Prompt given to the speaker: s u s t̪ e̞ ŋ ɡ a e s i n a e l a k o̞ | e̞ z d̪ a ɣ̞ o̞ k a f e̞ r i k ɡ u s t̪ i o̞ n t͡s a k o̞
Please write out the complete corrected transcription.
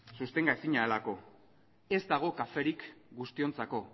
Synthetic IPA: s u s t̪ e̞ ŋ ɡ a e s i ɲ a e l a k o̞ | e̞ z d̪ a ɣ̞ o̞ k a f e̞ ɾ i k ɡ u s t̪ i o̞ n t͡s a k o̞